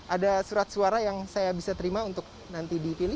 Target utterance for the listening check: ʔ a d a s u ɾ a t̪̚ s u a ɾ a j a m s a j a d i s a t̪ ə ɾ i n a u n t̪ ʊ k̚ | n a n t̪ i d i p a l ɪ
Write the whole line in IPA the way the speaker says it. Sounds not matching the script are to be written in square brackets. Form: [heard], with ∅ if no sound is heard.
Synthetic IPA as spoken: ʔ a d a s u ɾ a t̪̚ s u a ɾ a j a [ŋ] s a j a [b] i s a t̪ ə ɾ i [m] a u n t̪ ʊ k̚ | n a n t̪ i d i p [i] l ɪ

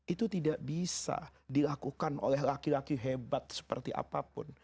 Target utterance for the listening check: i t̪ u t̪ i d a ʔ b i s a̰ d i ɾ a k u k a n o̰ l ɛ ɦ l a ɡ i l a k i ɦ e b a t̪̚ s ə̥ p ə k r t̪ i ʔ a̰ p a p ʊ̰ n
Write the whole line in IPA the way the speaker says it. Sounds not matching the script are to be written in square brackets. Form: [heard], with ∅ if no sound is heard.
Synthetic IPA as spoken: i t̪ u t̪ i d a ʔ b i s a̰ d i [l] a k u k a n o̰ l ɛ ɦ l a [k] i l a k i ɦ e b a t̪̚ s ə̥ p ə [∅] r t̪ i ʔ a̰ p a p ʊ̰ n

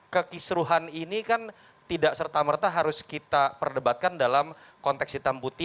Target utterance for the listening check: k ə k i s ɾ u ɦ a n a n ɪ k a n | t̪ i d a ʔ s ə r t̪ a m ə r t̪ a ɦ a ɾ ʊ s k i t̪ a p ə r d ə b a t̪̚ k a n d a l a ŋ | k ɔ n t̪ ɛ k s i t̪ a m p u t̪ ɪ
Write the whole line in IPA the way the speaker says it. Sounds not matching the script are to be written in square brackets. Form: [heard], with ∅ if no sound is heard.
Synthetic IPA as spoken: k ə k i s ɾ u ɦ a n [i] n [i] k a n | t̪ i d a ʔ s ə r t̪ a m ə r t̪ a ɦ a ɾ ʊ s k i t̪ a p ə r d ə b a t̪̚ k a n d a l a [m] | k ɔ n t̪ ɛ k s i t̪ a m p u t̪ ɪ

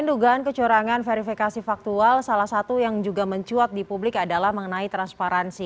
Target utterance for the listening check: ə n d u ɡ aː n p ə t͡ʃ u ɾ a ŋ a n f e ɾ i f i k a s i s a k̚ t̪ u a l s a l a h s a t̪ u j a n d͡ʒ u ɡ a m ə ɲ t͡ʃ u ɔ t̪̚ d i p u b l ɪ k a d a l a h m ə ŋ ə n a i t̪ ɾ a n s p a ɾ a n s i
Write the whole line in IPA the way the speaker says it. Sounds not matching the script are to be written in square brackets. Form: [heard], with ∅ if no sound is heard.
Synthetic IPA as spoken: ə n d u ɡ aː n [k] ə t͡ʃ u ɾ a ŋ a n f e ɾ i f i k a s i [f] a k̚ t̪ u a l s a l a h s a t̪ u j a [ŋ] d͡ʒ u ɡ a m ə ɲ t͡ʃ u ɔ t̪̚ d i p u b l ɪ k a d a l a h m ə ŋ ə n a i t̪ ɾ a n s p a ɾ a n s i

